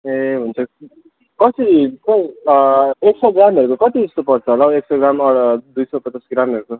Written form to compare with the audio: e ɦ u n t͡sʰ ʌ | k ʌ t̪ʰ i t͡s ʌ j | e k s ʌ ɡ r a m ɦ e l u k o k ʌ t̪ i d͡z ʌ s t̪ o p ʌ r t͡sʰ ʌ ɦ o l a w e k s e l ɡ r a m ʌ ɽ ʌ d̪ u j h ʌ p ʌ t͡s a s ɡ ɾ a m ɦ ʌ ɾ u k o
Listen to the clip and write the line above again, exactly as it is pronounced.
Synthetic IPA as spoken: e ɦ u n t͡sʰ ʌ | k ʌ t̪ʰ i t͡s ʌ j | e k s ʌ ɡ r a m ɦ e ɾ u k o k ʌ t̪ i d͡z ʌ s t̪ o p ʌ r t͡sʰ ʌ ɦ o l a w e k s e ɡ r a m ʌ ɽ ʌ d̪ u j s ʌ p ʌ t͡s a s ɡ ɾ a m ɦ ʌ ɾ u k o